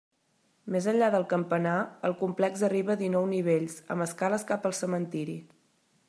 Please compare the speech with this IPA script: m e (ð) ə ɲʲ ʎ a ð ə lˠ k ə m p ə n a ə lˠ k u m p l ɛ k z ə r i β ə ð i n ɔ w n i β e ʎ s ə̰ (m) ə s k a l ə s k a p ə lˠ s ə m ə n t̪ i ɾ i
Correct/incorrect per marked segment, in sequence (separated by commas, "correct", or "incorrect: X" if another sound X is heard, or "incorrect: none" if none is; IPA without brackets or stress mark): incorrect: z, correct